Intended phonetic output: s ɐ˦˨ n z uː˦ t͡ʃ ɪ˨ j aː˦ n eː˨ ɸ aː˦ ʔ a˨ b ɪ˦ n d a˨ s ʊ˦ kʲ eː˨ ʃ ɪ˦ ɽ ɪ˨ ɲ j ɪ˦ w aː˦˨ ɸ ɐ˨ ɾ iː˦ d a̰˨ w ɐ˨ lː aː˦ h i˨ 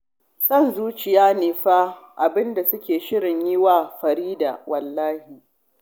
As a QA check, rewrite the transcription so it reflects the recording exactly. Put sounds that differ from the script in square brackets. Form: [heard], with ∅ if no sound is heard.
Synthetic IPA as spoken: s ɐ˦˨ n z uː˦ t͡ʃ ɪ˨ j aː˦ n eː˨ ɸ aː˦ ʔ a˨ b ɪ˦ n d a˨ s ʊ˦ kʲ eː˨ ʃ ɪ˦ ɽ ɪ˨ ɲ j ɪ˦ w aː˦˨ ɸ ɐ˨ ɾ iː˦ d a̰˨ w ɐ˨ lː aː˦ h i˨